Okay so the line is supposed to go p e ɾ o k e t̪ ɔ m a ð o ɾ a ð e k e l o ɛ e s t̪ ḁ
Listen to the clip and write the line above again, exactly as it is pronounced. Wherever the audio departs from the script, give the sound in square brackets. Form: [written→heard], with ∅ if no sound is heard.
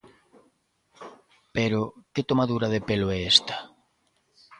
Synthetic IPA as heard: p e ɾ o k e t̪ [ɔ→o] m a ð [o→u] ɾ a ð e [k→p] e l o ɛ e s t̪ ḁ